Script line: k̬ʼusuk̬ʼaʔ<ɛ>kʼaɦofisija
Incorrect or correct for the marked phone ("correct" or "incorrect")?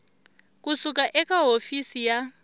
correct